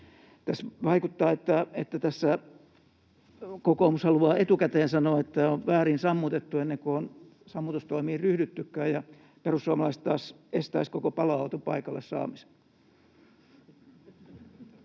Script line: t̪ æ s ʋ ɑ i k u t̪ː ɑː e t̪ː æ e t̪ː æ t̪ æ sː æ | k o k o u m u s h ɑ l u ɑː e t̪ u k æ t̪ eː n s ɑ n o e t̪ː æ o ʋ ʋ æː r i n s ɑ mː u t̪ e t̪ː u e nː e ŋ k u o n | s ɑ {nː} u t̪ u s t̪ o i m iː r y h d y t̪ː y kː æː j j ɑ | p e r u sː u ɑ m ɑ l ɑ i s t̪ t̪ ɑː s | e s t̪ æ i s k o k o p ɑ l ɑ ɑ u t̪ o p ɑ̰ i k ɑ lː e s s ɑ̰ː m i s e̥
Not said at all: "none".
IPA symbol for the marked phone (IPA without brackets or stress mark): mː